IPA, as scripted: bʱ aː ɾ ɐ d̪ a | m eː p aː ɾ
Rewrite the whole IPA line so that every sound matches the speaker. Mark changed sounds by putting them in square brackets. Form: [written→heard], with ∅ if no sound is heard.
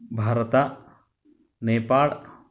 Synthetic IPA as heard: bʱ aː ɾ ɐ [d̪→t̪] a | [m→n] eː p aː [ɾ→ɭ]